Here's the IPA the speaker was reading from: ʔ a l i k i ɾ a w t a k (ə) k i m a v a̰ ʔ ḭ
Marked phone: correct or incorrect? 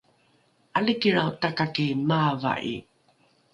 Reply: incorrect